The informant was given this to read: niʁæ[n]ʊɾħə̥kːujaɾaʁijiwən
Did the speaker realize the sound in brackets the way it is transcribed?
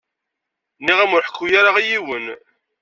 no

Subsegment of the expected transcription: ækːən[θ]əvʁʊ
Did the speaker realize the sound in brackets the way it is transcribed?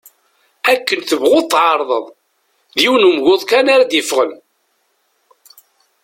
yes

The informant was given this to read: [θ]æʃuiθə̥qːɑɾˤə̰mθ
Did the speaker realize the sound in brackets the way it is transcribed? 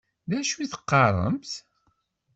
no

